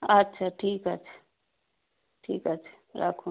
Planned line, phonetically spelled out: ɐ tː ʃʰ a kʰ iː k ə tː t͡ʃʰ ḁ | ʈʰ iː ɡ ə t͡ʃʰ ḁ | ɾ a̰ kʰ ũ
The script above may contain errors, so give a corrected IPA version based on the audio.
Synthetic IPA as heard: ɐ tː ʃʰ a ʈʰ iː k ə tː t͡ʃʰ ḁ | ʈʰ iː k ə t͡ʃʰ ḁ | ɾ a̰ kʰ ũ